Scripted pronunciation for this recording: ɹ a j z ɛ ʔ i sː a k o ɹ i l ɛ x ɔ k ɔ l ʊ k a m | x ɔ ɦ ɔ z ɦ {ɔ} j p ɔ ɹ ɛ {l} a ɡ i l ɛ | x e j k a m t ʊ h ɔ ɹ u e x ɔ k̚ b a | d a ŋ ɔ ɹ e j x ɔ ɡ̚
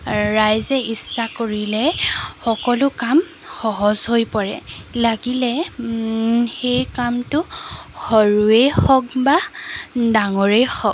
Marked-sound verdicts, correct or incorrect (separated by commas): incorrect, correct